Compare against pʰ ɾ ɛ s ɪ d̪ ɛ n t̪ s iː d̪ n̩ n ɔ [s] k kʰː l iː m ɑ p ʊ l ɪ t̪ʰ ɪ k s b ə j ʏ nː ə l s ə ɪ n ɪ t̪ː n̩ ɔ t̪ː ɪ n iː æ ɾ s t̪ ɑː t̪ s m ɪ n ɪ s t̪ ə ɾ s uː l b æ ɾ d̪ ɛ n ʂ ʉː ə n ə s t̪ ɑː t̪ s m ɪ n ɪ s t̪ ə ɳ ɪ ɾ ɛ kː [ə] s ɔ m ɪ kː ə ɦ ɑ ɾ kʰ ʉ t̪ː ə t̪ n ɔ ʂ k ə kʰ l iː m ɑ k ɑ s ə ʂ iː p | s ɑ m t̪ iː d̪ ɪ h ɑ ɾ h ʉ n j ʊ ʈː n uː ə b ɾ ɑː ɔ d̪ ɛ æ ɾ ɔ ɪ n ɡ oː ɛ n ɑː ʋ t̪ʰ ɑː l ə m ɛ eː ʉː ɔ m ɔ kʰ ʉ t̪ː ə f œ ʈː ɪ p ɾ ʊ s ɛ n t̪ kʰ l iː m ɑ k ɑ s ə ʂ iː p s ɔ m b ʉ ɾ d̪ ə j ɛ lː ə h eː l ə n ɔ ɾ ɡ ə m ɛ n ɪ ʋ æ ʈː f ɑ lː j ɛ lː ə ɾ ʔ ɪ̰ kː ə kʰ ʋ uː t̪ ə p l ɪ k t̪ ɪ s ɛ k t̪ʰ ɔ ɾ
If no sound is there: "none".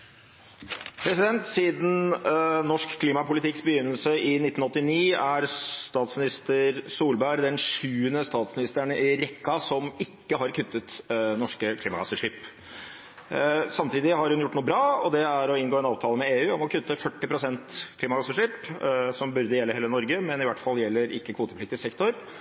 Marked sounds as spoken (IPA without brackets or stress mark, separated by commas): ʂ, ɑ